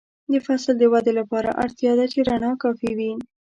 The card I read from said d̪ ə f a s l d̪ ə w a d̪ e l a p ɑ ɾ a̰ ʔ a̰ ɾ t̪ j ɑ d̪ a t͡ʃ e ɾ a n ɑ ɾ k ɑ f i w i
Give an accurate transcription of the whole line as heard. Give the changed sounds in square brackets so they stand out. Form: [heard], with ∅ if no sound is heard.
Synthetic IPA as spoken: d̪ ə f a s l d̪ ə w a d̪ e l a p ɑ ɾ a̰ ʔ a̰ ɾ t̪ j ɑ d̪ a t͡ʃ e ɾ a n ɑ [∅] k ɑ f i w i